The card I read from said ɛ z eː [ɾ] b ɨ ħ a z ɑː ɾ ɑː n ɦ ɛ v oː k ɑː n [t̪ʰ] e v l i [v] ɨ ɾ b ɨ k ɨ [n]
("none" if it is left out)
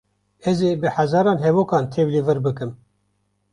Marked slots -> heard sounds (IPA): none, t̪ʰ, v, m

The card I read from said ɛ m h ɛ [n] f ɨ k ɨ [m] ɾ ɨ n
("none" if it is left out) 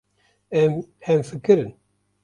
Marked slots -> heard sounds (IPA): m, none

